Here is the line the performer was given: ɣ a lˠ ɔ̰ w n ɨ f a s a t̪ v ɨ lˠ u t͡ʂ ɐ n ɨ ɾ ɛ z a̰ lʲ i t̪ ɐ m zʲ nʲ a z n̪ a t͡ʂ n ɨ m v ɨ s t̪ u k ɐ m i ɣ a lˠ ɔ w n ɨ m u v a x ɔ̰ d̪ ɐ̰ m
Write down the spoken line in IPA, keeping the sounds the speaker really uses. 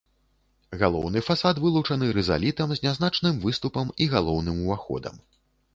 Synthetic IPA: ɣ a lˠ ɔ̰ w n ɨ f a s a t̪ v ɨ lˠ u t͡ʂ ɐ n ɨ ɾ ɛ z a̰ lʲ i t̪ ɐ m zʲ nʲ a z n̪ a t͡ʂ n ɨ m v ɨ s t̪ u p ɐ m i ɣ a lˠ ɔ w n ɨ m u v a x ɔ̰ d̪ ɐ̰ m